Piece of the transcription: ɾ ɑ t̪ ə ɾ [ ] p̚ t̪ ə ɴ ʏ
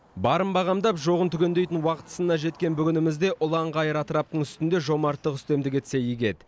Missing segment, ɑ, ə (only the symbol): ɑ